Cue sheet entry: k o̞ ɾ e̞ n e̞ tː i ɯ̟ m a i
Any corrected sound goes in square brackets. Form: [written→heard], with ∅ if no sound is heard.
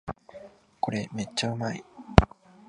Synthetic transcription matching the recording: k o̞ ɾ e̞ [n→m] e̞ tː [i→a] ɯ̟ m a i